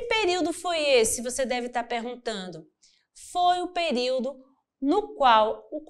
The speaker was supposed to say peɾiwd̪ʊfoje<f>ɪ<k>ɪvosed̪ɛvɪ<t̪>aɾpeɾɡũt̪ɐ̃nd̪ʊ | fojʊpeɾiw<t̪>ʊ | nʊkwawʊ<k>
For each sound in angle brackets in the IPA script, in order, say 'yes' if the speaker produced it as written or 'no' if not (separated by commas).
no, no, yes, no, yes